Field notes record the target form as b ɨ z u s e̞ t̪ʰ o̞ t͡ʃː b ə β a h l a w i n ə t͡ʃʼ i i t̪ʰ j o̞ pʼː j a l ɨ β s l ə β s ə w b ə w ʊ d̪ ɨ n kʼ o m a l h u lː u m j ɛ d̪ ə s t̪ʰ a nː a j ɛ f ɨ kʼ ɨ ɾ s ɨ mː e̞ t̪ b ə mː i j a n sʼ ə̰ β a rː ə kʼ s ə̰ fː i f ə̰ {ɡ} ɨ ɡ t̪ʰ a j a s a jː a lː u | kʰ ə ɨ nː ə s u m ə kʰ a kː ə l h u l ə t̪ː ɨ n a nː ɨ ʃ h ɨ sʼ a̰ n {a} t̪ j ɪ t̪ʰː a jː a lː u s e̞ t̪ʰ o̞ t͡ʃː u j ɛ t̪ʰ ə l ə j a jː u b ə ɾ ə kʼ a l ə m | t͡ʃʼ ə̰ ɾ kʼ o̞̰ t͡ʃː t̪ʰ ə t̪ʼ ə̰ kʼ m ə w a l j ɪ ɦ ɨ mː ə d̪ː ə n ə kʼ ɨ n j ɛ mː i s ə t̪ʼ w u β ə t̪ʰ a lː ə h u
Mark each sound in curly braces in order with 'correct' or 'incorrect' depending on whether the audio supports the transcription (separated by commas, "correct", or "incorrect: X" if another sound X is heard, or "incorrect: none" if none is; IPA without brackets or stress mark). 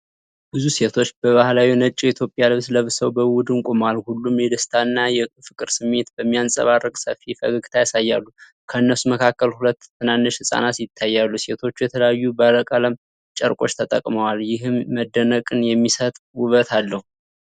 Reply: correct, correct